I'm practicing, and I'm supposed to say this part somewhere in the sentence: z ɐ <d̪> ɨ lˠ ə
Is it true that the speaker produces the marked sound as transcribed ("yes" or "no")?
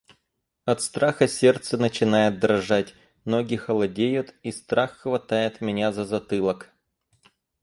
no